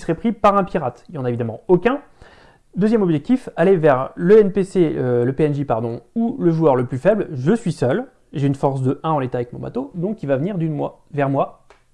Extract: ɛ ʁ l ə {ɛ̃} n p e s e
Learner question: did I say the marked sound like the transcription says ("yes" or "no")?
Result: no